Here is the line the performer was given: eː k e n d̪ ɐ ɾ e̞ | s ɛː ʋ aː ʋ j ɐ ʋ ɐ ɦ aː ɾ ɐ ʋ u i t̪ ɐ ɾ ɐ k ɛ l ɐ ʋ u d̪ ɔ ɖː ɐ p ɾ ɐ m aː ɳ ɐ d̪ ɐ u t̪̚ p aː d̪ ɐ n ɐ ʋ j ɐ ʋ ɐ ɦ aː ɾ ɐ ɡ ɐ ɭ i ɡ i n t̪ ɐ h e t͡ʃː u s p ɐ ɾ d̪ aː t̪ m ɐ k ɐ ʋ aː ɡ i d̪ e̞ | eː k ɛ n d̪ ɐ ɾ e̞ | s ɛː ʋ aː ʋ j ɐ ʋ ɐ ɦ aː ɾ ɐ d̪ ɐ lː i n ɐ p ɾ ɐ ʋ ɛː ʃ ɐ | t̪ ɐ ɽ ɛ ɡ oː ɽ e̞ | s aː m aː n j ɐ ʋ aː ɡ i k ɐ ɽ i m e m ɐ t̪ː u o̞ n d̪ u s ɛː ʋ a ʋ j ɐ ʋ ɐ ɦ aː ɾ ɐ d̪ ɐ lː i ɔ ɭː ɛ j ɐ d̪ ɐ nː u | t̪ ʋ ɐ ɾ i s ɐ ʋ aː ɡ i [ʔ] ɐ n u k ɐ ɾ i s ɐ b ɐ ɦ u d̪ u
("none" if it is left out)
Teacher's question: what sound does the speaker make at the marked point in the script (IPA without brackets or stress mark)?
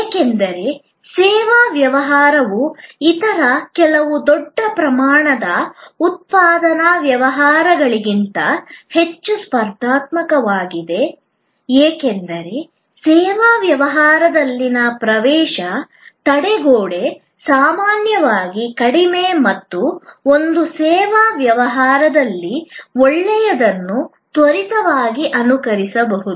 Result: ʔ